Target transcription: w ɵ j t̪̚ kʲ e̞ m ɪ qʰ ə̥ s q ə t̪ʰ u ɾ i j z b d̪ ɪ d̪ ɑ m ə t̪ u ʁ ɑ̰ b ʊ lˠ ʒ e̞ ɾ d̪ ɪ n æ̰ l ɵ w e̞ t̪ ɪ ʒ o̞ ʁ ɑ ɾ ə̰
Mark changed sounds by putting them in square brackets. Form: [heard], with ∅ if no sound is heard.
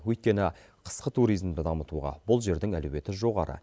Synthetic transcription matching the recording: w ɵ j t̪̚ kʲ e̞ [n] ɪ qʰ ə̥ s q ə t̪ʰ u ɾ i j z [m] d̪ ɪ d̪ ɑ m ə t̪ u ʁ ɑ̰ b ʊ lˠ ʒ e̞ ɾ d̪ ɪ [ŋ] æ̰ l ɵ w e̞ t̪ ɪ ʒ o̞ ʁ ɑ ɾ ə̰